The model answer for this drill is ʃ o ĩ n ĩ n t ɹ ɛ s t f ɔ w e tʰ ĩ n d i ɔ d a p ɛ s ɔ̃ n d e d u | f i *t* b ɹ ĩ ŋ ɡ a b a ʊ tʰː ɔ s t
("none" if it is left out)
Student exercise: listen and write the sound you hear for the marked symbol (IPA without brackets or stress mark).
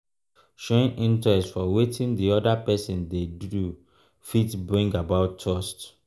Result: t